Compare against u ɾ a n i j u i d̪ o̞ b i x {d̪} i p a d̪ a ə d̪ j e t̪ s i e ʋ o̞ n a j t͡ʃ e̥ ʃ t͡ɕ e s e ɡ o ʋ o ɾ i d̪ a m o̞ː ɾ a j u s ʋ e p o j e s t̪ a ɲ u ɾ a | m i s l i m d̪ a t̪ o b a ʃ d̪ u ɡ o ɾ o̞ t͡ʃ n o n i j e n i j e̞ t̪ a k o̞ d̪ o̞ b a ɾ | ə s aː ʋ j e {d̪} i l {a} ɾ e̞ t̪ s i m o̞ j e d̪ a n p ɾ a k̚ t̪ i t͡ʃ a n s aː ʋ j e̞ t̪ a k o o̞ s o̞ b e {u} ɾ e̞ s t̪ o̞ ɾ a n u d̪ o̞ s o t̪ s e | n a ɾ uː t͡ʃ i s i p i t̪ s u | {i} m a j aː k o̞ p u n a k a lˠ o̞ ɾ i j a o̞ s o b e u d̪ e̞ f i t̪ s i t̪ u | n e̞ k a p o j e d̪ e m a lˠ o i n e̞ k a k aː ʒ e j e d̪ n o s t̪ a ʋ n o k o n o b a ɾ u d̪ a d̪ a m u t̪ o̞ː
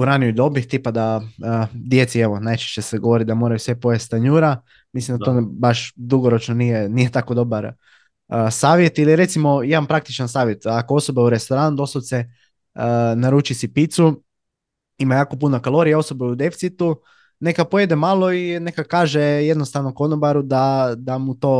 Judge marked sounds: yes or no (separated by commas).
no, no, no, yes, yes